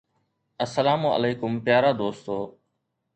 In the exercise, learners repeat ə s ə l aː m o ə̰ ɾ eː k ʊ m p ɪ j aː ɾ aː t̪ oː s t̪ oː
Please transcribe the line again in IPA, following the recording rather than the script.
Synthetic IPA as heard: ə s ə l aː m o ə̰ l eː k ʊ m p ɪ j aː ɾ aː d̪ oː s t̪ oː

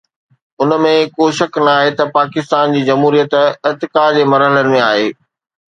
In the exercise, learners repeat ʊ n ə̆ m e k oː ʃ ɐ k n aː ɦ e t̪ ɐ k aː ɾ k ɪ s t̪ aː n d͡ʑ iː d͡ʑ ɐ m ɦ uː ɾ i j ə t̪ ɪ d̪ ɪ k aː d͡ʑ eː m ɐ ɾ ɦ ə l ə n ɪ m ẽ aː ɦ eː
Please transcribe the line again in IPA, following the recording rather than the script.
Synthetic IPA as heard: ʊ n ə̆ m ẽ k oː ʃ ɐ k n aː ɦ e t̪ ɐ p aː k ɪ s t̪ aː n d͡ʑ iː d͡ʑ ɐ m ɦ uː ɾ i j ə t̪ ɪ t̪ ɪ k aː d͡ʑ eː m ɐ ɾ ɦ ə l ə n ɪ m ẽ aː ɦ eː

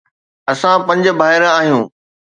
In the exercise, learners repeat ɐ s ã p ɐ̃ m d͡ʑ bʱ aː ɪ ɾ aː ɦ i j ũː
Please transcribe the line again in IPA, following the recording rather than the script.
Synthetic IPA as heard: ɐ s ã p ɐ̃ ɲ d͡ʑ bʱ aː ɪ ɾ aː ɦ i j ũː

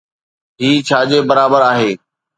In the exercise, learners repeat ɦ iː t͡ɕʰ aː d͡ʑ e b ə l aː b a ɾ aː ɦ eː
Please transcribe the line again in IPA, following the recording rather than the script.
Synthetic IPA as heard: ɦ iː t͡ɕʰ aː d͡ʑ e b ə ɾ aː b ə ɾ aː ɦ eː

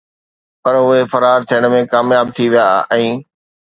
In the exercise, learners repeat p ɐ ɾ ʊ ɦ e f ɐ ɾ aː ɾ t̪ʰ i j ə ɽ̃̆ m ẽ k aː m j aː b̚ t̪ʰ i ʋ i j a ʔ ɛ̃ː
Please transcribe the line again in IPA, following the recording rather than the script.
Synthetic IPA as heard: p ɐ ɾ ʊ ɦ e f ɐ ɾ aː ɾ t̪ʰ i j ə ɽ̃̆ m ẽ k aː m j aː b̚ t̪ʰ i ʋ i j a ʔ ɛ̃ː

